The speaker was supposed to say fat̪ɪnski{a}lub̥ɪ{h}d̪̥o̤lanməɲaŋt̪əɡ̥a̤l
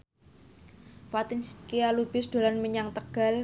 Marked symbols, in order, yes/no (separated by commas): yes, no